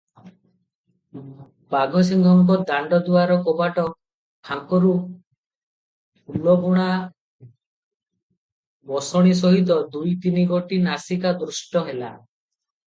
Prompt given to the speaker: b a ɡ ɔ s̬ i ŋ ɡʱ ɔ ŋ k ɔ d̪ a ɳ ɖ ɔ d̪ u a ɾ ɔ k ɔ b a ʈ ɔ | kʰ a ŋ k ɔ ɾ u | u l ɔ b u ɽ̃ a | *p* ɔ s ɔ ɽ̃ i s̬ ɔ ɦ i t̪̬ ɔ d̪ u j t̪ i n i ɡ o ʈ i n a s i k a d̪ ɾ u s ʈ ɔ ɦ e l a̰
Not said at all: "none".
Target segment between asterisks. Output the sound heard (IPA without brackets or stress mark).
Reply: b